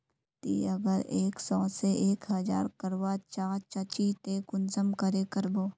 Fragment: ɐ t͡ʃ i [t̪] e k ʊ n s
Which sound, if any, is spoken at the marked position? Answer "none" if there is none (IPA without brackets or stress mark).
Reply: t̪